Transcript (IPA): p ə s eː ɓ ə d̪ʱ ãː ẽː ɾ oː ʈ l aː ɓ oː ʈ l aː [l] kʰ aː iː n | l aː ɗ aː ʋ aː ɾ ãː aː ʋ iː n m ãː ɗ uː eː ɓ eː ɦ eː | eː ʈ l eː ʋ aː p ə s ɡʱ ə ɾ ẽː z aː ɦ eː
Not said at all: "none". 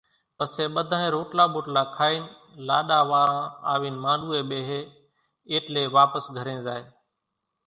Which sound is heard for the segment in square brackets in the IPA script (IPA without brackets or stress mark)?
none